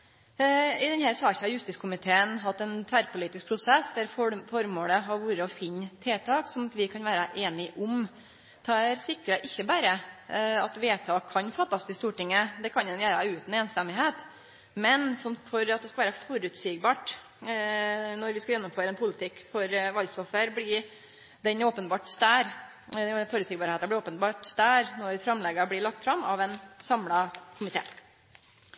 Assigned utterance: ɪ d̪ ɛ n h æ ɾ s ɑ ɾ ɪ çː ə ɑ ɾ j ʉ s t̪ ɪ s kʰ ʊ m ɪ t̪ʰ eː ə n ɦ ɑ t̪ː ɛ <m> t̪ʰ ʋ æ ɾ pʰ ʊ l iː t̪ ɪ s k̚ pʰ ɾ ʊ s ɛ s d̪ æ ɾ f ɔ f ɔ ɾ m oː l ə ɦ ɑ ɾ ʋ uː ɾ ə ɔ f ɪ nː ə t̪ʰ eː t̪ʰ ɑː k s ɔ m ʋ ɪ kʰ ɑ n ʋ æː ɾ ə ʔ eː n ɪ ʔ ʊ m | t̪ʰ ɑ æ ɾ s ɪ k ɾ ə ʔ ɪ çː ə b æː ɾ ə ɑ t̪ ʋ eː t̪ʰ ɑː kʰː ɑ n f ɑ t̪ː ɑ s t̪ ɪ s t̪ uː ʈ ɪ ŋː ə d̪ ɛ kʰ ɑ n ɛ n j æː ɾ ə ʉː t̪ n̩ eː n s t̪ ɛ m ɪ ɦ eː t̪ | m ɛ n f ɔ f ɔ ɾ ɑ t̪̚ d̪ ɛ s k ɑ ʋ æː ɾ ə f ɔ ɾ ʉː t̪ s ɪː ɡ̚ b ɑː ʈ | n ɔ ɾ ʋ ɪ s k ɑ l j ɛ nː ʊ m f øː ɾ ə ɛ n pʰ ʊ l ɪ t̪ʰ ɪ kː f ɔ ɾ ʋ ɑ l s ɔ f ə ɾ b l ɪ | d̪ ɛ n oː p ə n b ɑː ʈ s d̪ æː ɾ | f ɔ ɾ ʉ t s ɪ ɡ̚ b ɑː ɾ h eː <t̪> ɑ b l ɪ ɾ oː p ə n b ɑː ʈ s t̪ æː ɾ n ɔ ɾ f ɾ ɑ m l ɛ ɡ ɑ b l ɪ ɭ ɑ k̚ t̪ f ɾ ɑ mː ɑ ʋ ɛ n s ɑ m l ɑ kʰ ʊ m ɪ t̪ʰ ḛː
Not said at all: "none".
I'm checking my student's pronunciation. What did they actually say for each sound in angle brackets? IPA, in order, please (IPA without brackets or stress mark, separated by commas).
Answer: n, t̪